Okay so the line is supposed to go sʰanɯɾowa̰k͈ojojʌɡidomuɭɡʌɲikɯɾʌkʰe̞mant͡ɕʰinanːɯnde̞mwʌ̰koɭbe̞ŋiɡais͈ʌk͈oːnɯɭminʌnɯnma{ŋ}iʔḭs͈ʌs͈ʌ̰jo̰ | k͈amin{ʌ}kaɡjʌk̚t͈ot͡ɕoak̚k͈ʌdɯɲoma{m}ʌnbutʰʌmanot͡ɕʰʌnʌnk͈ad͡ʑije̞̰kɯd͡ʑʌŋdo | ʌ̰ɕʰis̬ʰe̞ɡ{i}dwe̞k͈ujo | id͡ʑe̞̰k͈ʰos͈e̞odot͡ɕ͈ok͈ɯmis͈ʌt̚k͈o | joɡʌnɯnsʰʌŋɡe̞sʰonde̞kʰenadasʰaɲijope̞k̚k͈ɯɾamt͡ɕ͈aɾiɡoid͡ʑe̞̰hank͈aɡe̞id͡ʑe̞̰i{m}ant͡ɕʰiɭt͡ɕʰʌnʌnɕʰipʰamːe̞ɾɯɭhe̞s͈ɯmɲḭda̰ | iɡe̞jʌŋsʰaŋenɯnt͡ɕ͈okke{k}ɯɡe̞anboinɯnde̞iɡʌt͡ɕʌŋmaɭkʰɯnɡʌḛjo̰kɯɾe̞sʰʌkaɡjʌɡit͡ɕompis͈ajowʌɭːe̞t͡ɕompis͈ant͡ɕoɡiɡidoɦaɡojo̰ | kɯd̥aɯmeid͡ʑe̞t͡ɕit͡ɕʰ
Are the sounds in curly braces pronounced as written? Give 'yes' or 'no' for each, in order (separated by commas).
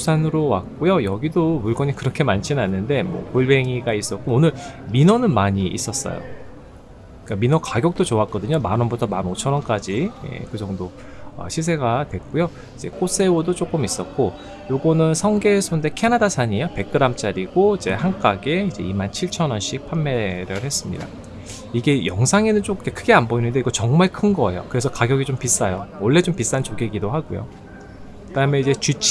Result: no, yes, no, no, yes, no